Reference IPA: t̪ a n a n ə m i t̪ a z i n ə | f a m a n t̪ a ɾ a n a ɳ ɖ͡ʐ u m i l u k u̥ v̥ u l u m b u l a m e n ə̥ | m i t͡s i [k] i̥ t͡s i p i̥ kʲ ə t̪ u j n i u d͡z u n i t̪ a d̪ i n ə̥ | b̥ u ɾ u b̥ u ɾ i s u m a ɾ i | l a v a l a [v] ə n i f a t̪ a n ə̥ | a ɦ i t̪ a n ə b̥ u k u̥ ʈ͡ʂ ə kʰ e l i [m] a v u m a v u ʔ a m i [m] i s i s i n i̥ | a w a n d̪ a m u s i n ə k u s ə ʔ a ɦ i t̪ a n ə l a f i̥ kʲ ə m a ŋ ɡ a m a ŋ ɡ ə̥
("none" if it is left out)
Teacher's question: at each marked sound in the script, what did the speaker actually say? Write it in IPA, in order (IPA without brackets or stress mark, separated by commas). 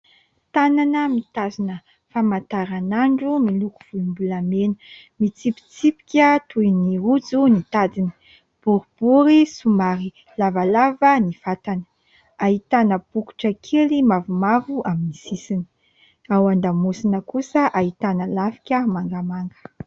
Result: p, v, m, n